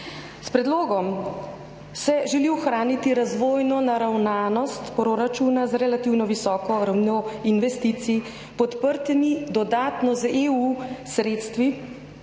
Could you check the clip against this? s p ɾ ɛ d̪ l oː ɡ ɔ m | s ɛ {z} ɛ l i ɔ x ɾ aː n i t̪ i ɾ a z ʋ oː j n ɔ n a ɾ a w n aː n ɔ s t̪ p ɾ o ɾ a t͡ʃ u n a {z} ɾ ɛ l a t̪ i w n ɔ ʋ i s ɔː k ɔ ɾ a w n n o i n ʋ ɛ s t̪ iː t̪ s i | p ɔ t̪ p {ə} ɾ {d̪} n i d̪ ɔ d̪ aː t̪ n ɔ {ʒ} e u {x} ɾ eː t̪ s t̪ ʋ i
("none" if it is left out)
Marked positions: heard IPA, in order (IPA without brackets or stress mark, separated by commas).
ʒ, z, ə, t̪, z, s